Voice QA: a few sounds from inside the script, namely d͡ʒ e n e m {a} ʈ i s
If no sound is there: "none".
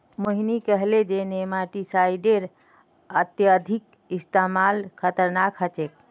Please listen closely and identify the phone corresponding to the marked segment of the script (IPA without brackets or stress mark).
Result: a